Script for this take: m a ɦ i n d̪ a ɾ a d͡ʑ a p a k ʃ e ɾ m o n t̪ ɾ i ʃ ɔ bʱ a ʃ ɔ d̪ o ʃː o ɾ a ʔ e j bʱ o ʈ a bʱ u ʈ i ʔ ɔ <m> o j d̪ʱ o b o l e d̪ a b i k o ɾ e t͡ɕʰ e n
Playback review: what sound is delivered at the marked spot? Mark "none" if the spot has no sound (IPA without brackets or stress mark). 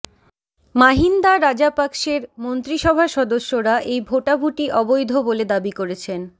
b